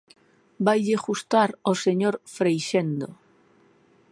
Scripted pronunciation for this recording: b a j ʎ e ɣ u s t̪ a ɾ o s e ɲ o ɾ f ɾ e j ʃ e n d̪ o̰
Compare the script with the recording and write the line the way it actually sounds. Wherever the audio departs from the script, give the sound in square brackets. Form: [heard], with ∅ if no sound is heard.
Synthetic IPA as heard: b a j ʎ e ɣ u s t̪ a ɾ o s e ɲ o ɾ f ɾ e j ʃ e n d̪ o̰